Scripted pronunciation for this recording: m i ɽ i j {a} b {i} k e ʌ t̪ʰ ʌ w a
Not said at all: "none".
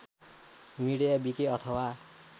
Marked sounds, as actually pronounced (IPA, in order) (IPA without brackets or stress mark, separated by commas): a, i